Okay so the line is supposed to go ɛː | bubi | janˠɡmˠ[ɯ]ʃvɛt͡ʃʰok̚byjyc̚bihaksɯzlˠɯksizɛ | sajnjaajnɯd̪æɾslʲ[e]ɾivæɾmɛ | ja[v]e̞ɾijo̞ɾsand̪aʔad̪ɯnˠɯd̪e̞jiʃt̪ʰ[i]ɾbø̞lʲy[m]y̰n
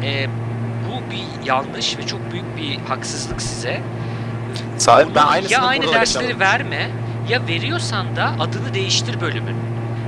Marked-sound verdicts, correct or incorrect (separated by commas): correct, correct, correct, correct, correct